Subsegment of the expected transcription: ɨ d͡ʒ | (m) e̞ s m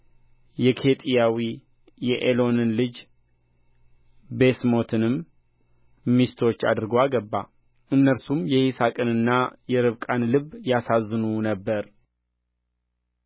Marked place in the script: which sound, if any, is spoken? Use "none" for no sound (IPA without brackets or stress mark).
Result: b